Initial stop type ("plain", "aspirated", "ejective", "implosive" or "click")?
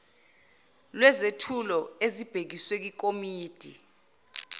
aspirated